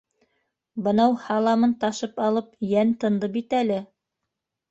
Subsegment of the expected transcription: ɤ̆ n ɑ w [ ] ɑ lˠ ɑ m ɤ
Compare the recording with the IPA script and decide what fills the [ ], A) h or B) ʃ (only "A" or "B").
A